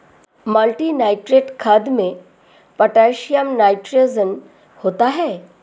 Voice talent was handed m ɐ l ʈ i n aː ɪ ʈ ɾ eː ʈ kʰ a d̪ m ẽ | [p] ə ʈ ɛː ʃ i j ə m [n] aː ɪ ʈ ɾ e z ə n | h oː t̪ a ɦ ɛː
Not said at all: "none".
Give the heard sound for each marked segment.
p, n

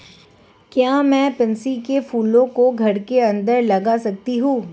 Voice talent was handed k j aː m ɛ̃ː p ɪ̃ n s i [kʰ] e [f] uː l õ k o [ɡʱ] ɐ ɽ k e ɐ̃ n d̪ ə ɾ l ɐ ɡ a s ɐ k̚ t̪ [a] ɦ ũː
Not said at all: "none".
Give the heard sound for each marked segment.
k, f, ɡʱ, i

